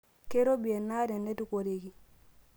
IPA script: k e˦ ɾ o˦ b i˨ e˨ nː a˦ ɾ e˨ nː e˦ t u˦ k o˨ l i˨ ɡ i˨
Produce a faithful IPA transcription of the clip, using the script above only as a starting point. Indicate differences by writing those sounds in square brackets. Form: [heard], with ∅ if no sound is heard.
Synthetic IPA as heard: k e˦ ɾ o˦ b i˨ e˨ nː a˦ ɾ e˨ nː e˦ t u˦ k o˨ [ɾ] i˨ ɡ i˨